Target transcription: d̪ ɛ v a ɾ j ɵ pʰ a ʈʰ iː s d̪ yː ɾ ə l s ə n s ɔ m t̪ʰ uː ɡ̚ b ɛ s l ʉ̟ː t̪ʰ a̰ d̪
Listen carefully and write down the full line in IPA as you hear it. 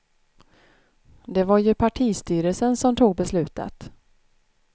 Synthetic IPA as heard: d̪ ɛ v a ɾ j ɵ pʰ a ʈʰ iː s t̪ yː ɾ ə l s ə n s ɔ m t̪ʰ uː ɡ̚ b ɛ s l ʉ̟ː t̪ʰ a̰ t̪